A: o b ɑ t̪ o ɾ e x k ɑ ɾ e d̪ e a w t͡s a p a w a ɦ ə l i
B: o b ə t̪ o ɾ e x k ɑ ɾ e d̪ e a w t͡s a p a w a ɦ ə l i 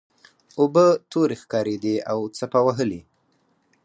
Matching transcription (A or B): B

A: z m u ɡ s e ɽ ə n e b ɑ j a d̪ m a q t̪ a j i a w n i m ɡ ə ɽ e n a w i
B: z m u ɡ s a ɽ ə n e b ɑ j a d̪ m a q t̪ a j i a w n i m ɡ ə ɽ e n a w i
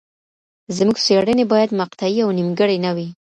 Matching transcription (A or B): A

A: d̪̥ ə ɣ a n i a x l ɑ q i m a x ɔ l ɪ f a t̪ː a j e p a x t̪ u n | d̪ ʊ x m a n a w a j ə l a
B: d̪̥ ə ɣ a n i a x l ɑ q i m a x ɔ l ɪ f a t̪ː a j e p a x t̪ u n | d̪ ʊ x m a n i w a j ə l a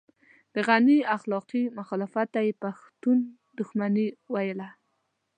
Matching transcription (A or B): B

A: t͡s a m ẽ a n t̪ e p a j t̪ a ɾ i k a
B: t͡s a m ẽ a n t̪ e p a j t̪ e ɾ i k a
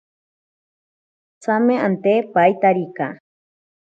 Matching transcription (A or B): A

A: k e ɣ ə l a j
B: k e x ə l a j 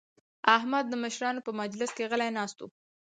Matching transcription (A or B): A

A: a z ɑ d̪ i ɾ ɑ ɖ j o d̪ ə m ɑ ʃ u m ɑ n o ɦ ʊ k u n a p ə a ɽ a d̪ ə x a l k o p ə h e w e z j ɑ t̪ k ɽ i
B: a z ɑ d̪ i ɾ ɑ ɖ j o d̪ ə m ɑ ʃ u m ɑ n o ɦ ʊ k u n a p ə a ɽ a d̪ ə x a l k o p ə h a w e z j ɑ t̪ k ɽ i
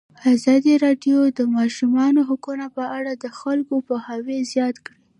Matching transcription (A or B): B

